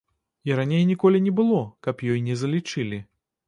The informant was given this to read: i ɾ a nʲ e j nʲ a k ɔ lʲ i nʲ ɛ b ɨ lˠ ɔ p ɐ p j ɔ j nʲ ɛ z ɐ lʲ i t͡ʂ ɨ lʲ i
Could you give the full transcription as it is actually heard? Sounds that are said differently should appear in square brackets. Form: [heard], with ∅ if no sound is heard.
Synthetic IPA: i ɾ a nʲ e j nʲ [i] k ɔ lʲ i nʲ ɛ b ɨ lˠ ɔ [k] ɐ p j ɔ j nʲ ɛ z ɐ lʲ i t͡ʂ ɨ lʲ i